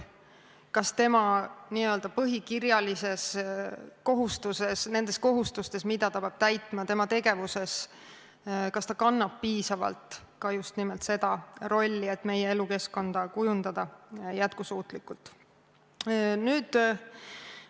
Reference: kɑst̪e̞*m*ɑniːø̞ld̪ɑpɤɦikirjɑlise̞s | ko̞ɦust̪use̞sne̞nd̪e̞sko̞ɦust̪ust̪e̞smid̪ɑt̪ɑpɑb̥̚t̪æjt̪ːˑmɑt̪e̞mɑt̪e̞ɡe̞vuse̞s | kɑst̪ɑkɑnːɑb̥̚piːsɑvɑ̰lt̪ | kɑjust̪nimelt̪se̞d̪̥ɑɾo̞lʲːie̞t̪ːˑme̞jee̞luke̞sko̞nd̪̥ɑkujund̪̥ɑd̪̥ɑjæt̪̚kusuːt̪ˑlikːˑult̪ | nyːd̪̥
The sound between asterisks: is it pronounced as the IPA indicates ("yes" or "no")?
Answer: yes